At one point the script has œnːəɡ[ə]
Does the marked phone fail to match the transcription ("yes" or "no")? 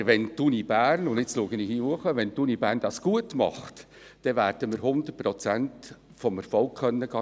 yes